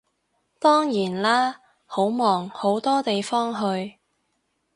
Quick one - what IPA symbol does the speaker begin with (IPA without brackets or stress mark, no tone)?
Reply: t̪